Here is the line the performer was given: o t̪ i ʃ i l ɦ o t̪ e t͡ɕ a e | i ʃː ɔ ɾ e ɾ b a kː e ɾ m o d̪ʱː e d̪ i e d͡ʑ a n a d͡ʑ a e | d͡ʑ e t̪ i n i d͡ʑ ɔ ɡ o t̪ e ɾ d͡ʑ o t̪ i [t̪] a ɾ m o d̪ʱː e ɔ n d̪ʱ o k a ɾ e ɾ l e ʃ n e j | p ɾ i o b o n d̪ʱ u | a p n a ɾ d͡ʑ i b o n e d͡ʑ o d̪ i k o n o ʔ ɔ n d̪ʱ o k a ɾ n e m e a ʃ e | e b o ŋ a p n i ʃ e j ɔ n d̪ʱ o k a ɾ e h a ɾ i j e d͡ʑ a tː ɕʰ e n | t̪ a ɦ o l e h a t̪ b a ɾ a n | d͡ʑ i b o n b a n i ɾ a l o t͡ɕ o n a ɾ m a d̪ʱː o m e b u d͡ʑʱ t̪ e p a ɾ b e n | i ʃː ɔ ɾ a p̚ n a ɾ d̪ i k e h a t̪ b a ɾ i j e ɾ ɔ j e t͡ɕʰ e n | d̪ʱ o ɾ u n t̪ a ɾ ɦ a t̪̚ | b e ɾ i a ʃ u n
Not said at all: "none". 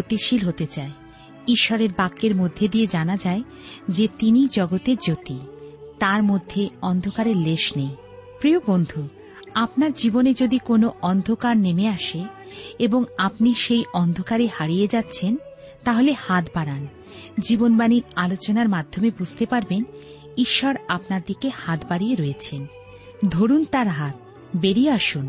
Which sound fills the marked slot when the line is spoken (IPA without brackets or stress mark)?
t̪